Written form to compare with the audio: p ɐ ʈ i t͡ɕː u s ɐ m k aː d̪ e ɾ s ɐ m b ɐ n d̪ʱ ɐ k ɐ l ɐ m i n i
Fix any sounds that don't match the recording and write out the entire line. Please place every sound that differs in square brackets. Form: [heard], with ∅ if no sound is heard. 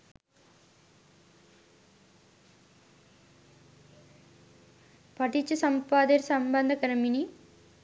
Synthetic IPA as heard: p ɐ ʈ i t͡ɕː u s ɐ m [p] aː d̪ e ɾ s ɐ m b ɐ n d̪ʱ ɐ k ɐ [ɾ] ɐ m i n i

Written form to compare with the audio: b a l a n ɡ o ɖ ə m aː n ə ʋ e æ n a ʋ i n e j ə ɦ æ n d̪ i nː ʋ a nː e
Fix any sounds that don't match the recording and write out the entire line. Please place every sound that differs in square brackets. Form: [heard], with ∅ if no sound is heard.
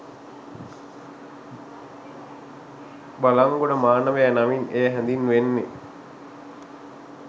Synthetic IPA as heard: b a l a [ŋ] ɡ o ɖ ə m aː n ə ʋ e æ n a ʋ i n e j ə ɦ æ n d̪ i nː ʋ [e] nː e

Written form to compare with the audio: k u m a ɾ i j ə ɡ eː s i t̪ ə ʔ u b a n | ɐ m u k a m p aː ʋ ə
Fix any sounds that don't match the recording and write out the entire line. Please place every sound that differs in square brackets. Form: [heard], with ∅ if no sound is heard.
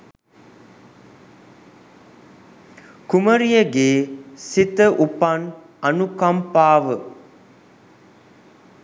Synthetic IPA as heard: k u m [ə] ɾ i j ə ɡ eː s i t̪ ə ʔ u [p] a n | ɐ [n] u k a m p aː ʋ ə

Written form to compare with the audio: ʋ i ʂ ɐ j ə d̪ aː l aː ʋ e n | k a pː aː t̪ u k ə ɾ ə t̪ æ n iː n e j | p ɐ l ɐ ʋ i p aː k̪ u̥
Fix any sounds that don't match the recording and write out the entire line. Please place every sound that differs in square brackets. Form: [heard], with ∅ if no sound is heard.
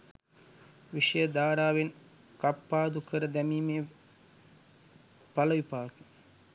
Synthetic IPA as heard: ʋ i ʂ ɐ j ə d̪ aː [ɾ] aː ʋ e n | k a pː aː [d̪] u k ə ɾ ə [d̪] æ [m] iː [m] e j | p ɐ l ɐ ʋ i p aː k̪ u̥

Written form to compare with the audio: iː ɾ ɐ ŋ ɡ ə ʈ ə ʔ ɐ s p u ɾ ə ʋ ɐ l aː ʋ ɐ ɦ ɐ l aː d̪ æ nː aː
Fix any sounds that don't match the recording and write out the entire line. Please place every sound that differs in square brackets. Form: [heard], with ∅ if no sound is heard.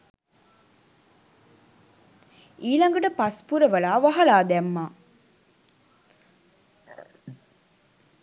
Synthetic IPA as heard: iː [l] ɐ ŋ ɡ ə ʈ ə [p] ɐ s p u ɾ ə ʋ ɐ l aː ʋ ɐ ɦ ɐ l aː d̪ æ [mː] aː

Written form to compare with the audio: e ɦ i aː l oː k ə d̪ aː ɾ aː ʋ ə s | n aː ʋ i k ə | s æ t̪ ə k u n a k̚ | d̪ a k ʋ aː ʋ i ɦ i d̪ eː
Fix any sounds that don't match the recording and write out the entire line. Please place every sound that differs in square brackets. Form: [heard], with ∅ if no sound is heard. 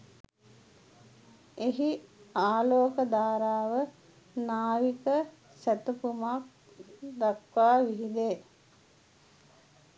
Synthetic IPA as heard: e ɦ i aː l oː k ə d̪ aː ɾ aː ʋ ə [∅] | n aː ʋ i k ə | s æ t̪ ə [p] u [m] a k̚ | d̪ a k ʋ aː ʋ i ɦ i d̪ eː

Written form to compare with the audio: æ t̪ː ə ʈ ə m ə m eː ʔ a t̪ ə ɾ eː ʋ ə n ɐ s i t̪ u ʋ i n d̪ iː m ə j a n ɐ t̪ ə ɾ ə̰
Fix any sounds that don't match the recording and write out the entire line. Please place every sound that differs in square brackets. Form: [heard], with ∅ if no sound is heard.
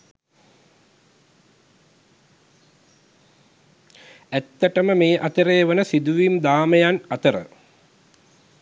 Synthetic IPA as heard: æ t̪ː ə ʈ ə m ə m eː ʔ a t̪ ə ɾ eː ʋ ə n [ə] s i [d̪] u ʋ i [m] d̪ [aː] m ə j a n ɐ t̪ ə ɾ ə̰

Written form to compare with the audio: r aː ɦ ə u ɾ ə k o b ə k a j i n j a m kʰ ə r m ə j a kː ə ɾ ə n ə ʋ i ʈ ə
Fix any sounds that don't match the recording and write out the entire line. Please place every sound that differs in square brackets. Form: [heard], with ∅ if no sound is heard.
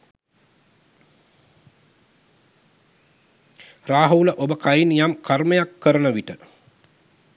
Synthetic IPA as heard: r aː ɦ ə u [l] ə [ʔ] o b ə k a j i n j a m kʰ [a] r m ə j a kː ə ɾ ə n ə ʋ i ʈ ə

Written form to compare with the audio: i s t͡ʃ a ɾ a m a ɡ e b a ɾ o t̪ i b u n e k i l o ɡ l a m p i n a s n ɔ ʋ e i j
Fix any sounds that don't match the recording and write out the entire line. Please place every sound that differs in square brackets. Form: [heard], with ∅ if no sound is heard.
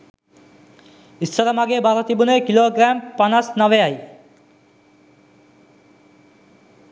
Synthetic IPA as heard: i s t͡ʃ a ɾ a m a ɡ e b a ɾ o t̪ i b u n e k i l o ɡ [ɾ] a m p [a] n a s n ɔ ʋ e [a] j

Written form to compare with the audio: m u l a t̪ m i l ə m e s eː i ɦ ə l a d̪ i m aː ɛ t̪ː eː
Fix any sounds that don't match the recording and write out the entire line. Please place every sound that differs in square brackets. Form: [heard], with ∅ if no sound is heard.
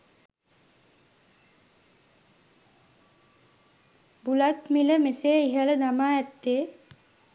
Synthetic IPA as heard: [b] u l a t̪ m i l ə m e s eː i ɦ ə l [ə] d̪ [a] m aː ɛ t̪ː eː

